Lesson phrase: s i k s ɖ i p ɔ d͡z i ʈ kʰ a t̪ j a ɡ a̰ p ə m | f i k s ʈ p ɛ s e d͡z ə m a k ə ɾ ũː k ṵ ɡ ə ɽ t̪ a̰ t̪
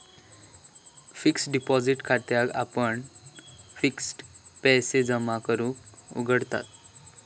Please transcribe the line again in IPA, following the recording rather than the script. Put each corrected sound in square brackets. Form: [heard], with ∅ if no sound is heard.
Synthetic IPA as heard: [f] i k s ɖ i p ɔ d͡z i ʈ kʰ a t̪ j a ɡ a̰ p ə [ɳ] | f i k s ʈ p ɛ s e d͡z ə m a k ə ɾ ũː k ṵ ɡ ə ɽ t̪ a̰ t̪